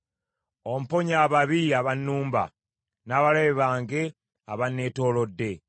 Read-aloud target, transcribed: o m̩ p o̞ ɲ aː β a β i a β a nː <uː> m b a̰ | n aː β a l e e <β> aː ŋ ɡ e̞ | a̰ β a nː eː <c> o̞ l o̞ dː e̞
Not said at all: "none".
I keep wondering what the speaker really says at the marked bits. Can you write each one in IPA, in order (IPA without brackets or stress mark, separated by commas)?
uː, β, t